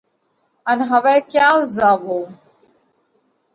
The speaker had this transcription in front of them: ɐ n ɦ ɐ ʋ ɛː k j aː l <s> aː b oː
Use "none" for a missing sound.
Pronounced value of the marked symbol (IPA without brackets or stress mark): z